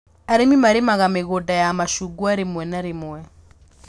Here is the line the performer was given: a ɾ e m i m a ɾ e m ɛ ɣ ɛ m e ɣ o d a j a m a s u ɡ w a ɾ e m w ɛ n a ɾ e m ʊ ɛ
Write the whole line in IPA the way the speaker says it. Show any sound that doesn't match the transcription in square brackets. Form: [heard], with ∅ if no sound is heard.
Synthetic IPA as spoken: a ɾ e m i m a ɾ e m [a] ɣ [a] m e ɣ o d a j a m a [ʃ] u ɡ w a ɾ e m w ɛ n a ɾ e m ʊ ɛ